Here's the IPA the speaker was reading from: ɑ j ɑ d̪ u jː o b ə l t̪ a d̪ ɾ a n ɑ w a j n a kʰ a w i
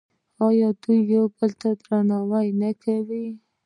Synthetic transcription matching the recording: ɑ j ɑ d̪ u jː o b ə l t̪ a d̪ ɾ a n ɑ w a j n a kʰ a w i